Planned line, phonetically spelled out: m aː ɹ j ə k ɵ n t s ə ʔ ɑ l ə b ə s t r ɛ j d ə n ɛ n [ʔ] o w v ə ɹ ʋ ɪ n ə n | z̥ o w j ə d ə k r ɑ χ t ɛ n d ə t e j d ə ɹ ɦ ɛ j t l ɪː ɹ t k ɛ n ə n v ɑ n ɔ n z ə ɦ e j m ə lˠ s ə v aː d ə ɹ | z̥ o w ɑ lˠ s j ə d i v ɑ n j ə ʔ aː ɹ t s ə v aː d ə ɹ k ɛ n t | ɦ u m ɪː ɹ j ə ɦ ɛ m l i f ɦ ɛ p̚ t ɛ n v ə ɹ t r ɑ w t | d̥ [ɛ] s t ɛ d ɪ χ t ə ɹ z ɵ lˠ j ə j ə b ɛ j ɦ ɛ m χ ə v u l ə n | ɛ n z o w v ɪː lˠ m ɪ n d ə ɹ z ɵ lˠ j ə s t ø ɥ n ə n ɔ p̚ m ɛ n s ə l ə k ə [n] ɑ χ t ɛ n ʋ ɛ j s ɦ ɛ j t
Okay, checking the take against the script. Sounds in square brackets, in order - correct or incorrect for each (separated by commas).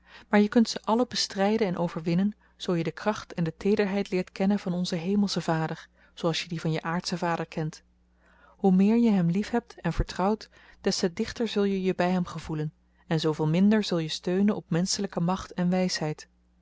correct, correct, incorrect